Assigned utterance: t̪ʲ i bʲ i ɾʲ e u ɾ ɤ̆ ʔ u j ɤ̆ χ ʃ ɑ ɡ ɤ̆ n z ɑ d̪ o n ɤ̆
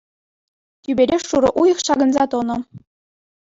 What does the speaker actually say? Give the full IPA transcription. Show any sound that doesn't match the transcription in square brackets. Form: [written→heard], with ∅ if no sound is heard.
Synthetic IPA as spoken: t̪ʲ [i→y] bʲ [i→e] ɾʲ e u ɾ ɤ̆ ʔ u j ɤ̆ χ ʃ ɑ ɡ ɤ̆ n z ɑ [d̪→t̪] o n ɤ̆